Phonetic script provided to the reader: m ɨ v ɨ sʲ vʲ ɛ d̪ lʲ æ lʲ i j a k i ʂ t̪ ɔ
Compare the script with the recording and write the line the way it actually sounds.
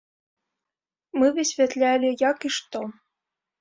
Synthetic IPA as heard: m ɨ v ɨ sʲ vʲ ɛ t̪ lʲ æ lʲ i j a k i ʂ t̪ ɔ

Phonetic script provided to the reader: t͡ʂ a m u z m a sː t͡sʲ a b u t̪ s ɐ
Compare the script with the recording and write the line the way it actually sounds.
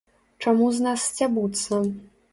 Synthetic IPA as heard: t͡ʂ a m u z n a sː t͡sʲ a b u t̪ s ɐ

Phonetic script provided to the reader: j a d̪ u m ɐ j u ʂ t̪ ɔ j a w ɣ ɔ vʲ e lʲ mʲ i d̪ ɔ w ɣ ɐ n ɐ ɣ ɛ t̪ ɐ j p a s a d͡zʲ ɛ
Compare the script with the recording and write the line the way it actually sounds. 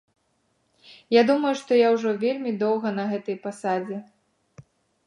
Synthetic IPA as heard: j a d̪ u m ɐ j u ʂ t̪ ɔ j a w ʐ ɔ vʲ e lʲ mʲ i d̪ ɔ w ɣ ɐ n ɐ ɣ ɛ t̪ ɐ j p a s a d͡zʲ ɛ

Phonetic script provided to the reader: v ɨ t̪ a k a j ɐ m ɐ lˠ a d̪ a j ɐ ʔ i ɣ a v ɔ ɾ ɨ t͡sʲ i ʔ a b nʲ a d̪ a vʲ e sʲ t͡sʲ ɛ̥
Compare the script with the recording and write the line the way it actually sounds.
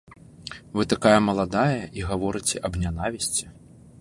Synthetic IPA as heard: v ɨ t̪ a k a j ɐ m ɐ lˠ a d̪ a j ɐ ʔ i ɣ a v ɔ ɾ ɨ t͡sʲ ɛ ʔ ɐ b nʲ a n̪ a vʲ i sʲ t͡sʲ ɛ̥

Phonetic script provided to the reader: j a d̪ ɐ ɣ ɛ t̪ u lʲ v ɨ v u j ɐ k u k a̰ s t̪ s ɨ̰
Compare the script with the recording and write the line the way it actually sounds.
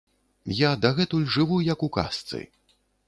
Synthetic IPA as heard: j a d̪ ɐ ɣ ɛ t̪ u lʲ ʐ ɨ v u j ɐ k u k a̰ s t̪ s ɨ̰

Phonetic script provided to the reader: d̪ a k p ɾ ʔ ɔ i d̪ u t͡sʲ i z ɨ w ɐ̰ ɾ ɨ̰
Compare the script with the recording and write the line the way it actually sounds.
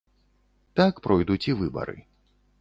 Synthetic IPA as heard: t̪ a k p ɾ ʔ ɔ j d̪ u t͡sʲ i v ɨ b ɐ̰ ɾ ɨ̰

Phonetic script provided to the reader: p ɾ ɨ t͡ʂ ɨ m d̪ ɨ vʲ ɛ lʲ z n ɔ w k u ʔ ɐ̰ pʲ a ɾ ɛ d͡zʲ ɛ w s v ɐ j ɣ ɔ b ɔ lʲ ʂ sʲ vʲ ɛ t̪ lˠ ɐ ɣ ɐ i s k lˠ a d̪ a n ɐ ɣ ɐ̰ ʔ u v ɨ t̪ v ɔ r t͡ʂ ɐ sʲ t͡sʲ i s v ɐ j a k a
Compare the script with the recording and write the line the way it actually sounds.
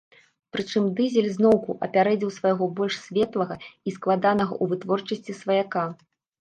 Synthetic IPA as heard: p ɾ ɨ t͡ʂ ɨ m d̪ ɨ zʲ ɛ lʲ z n ɔ w k u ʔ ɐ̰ pʲ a ɾ ɛ d͡zʲ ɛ w s v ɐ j ɣ ɔ b ɔ lʲ ʂ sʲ vʲ ɛ t̪ lˠ ɐ ɣ ɐ i s k lˠ a d̪ a n ɐ ɣ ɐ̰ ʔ u v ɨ t̪ v ɔ r t͡ʂ ɐ sʲ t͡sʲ i s v ɐ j a k a

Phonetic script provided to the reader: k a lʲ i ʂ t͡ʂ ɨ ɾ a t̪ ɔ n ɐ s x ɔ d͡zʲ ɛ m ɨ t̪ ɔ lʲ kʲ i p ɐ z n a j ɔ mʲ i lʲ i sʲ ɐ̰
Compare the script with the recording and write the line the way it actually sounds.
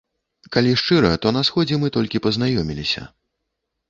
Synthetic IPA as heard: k a lʲ i ʂ t͡ʂ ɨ ɾ ɐ t̪ ɔ n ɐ s x ɔ d͡zʲ ɛ m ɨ t̪ ɔ lʲ kʲ i p ɐ z n a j ɔ mʲ i lʲ i sʲ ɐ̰

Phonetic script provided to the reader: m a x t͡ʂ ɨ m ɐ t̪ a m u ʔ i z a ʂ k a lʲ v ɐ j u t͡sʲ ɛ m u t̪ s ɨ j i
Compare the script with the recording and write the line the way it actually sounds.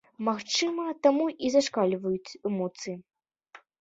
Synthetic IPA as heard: m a x t͡ʂ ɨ m ɐ t̪ a m u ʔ i z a ʂ k a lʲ v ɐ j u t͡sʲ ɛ m ɔ t̪ s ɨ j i

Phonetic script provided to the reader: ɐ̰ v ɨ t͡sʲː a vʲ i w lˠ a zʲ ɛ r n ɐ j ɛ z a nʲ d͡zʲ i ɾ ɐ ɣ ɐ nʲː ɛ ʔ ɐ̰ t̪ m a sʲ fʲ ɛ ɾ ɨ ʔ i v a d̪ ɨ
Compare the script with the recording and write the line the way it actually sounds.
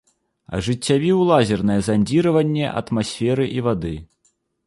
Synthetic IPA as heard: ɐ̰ ʐ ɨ t͡sʲː a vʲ i w lˠ a zʲ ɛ r n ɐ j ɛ z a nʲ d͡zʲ i ɾ ɐ v ɐ nʲː ɛ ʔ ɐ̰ t̪ m a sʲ fʲ ɛ ɾ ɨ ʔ i v a d̪ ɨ

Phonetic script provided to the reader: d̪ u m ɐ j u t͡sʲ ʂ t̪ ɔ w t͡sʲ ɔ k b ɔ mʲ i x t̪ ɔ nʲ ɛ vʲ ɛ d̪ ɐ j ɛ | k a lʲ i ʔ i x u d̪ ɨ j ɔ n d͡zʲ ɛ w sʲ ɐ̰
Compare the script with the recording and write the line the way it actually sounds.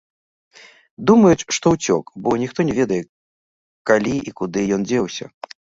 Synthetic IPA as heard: d̪ u m ɐ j u t͡sʲ ʂ t̪ ɔ w t͡sʲ ɔ k b ɔ nʲ i x t̪ ɔ nʲ ɛ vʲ ɛ d̪ ɐ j ɛ | k a lʲ i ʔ i k u d̪ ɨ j ɔ n d͡zʲ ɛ w sʲ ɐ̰

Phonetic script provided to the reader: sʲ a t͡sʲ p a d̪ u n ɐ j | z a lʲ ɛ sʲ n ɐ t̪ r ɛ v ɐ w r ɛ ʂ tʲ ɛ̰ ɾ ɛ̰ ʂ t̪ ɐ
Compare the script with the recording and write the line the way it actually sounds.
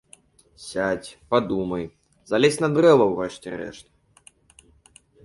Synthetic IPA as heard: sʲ a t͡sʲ p a d̪ u m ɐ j | z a lʲ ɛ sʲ n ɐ d̪ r ɛ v ɐ w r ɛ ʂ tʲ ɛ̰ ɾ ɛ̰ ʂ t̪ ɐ

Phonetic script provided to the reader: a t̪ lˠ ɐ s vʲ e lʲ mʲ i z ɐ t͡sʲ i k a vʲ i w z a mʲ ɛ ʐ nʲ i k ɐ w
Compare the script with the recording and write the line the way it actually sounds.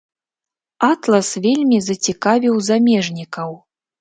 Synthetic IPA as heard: a t̪ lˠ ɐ s vʲ e lʲ mʲ i z ɐ t͡sʲ i k a vʲ i w z a mʲ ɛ ʐ nʲ i k ɐ w

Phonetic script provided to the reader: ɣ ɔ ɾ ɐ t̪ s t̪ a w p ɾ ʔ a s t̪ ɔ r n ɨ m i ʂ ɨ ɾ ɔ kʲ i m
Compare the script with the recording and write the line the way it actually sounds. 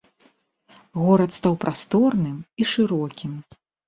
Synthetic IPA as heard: ɣ ɔ ɾ ɐ t̪ s t̪ a w p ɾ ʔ a s t̪ ɔ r n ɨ m i ʂ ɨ ɾ ɔ kʲ i m

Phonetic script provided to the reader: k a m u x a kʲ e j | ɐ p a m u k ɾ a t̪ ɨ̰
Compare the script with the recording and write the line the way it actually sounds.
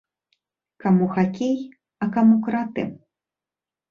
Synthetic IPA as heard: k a m u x a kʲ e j | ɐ k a m u k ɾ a t̪ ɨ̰

